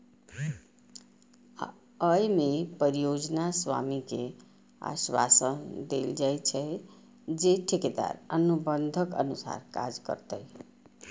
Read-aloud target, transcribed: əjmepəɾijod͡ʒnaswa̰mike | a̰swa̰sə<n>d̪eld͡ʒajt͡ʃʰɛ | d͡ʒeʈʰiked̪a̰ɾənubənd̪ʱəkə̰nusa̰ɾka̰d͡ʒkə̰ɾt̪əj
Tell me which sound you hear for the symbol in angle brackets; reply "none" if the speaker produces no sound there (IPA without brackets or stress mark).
n